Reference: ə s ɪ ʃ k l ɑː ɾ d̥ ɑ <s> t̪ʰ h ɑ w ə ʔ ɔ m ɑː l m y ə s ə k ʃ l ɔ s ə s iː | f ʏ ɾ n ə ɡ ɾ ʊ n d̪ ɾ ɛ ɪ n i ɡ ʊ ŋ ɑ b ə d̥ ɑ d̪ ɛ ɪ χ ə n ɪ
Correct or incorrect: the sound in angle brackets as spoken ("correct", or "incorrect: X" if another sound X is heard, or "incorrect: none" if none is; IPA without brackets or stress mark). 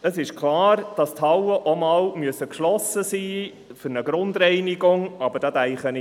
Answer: correct